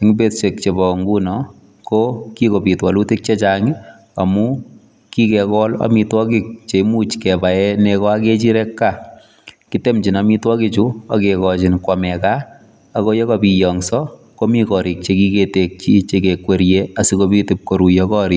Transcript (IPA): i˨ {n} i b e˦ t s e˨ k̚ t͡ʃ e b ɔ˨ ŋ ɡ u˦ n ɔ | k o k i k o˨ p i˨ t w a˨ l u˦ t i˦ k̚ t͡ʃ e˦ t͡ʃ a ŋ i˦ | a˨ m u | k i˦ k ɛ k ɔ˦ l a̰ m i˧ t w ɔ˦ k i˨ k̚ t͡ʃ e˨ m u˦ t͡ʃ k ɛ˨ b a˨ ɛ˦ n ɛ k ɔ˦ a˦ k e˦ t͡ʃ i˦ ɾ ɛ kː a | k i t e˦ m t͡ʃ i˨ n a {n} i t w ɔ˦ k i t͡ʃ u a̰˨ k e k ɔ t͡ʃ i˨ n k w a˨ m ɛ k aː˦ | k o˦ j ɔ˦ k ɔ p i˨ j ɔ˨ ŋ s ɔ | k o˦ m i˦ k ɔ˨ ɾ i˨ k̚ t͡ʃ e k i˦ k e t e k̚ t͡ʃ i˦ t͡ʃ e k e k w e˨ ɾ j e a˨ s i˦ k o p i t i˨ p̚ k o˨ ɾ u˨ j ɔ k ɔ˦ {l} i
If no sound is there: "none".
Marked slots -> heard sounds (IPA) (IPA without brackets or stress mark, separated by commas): ŋ, m, ɾ